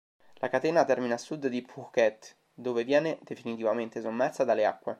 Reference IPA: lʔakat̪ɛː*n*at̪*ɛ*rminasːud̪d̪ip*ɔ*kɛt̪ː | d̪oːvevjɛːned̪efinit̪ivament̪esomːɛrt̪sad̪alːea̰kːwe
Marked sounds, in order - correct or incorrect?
correct, correct, incorrect: u

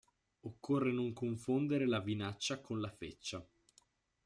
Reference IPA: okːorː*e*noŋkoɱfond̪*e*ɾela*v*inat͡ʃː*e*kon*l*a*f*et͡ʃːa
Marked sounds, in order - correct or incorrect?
correct, correct, correct, incorrect: a, correct, correct

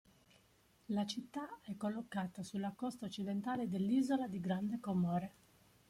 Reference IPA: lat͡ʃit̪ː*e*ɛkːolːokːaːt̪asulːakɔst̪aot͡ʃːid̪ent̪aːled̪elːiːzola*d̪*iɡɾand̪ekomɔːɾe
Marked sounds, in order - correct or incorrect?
incorrect: a, correct

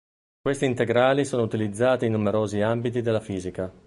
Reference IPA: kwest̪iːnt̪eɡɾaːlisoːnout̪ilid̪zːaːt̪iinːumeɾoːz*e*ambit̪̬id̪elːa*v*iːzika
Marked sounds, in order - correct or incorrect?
incorrect: i, incorrect: f

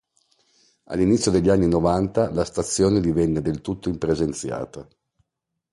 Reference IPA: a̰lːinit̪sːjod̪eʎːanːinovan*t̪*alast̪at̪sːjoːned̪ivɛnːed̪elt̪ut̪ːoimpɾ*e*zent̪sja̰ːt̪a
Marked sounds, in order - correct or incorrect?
correct, correct

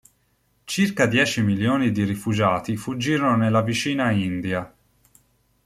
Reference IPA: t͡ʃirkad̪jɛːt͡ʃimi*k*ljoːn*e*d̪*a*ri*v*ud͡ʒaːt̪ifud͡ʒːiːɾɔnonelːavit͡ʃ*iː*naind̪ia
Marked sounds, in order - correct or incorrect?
incorrect: none, incorrect: i, incorrect: i, incorrect: f, correct

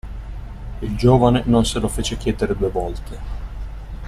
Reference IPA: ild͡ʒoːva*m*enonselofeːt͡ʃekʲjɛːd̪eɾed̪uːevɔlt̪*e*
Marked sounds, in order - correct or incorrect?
incorrect: n, correct

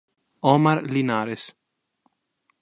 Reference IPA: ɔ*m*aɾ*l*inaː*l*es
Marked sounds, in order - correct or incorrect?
correct, correct, incorrect: ɾ

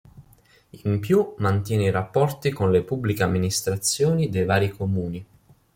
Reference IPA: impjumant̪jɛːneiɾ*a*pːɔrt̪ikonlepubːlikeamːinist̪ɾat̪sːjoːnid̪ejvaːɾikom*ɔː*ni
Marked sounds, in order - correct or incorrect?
correct, incorrect: uː

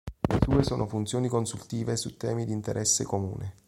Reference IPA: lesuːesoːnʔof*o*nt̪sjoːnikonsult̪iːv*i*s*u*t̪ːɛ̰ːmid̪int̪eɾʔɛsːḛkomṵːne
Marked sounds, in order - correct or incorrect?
incorrect: u, incorrect: e, correct

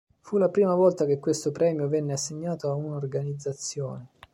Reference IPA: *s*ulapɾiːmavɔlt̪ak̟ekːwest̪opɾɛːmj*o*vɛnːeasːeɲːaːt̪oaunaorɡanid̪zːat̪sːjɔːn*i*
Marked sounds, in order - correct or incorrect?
incorrect: f, correct, incorrect: e

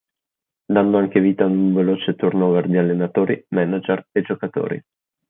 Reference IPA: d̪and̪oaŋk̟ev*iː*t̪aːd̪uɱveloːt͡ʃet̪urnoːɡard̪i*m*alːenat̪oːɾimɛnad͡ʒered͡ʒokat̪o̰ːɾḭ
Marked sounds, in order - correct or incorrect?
correct, incorrect: none

